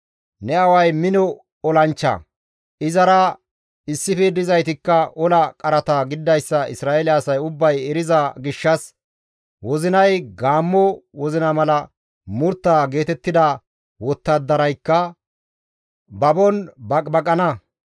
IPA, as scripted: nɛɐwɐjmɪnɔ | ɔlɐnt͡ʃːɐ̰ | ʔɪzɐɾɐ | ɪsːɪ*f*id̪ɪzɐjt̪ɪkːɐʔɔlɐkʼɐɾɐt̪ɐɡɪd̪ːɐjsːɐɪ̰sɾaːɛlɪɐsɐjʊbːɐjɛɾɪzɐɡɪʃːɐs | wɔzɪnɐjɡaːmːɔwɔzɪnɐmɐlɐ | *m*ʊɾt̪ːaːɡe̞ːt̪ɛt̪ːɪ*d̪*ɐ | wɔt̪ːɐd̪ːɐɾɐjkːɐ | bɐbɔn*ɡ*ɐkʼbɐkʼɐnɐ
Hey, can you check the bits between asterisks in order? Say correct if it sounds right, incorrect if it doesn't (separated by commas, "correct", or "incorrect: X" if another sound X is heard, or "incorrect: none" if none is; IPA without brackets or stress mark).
correct, correct, correct, incorrect: b